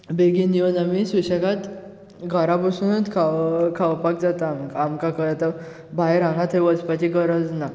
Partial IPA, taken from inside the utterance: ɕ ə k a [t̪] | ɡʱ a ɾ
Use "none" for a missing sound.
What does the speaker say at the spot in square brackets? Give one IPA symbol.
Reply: t̪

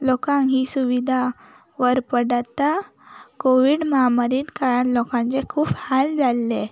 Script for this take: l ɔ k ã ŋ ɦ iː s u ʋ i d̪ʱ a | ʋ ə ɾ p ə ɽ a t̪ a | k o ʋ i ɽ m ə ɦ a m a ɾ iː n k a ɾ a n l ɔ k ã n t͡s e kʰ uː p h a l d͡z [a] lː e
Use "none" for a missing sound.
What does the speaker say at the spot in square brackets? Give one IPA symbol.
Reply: a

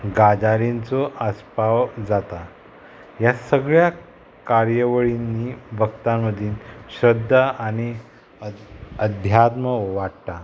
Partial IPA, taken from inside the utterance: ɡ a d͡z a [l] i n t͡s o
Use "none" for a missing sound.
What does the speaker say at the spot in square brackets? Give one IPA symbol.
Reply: ɾ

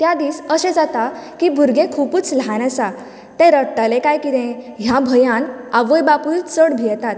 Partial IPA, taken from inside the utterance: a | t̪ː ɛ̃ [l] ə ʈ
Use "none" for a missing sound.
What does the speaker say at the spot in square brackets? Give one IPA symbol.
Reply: ɾ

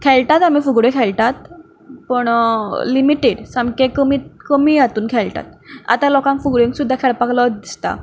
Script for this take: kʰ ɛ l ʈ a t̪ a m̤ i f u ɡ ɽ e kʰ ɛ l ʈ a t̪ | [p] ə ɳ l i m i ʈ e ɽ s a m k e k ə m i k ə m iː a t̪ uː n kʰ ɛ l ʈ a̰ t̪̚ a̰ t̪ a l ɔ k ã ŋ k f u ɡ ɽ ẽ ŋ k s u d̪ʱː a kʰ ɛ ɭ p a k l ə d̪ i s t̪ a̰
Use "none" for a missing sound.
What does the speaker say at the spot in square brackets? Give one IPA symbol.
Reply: p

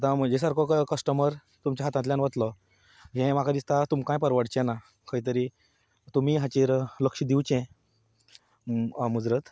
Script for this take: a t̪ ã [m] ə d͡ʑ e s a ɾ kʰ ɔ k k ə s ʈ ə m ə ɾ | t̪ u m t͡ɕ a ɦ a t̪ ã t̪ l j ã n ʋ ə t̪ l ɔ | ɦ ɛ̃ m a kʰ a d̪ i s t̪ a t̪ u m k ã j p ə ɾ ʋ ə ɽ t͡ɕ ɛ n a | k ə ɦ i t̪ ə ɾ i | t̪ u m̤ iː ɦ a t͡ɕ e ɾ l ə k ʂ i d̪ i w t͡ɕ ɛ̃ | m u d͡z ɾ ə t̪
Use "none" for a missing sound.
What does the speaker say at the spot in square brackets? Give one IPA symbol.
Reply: m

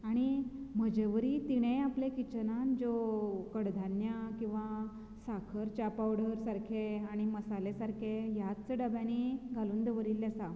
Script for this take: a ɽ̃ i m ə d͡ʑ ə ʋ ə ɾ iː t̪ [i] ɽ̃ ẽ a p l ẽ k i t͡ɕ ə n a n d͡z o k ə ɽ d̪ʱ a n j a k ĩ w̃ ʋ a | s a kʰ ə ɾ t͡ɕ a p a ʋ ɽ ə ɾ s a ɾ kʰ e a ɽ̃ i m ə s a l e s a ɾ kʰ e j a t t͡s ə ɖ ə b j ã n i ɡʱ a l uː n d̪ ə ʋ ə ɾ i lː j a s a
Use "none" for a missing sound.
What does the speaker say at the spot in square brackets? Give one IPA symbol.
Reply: i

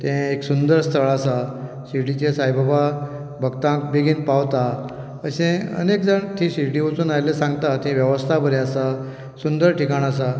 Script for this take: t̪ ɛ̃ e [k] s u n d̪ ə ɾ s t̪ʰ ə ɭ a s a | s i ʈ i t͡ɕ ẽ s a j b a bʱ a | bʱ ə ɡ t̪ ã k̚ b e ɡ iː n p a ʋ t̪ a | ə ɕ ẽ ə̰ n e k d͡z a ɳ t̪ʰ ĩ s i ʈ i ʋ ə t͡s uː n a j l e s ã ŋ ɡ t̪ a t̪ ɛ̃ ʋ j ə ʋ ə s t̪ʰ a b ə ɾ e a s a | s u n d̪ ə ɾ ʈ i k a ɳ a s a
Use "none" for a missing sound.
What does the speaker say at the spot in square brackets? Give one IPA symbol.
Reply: k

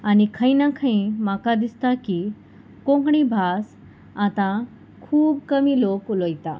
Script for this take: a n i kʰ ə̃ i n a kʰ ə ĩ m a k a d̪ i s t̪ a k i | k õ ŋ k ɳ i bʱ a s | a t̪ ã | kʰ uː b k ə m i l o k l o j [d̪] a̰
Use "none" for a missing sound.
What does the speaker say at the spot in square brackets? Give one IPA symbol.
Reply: t̪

